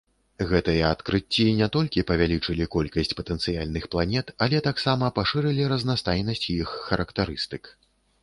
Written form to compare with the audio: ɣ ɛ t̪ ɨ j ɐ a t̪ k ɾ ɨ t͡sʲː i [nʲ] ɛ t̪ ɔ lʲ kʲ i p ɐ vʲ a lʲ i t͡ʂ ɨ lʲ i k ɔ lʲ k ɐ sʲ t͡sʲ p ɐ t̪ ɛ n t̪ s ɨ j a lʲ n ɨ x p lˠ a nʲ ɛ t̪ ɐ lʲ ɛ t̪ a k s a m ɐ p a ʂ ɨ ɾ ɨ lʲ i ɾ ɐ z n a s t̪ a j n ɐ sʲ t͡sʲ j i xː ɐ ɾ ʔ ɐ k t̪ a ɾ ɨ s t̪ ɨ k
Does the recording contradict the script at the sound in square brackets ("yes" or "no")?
no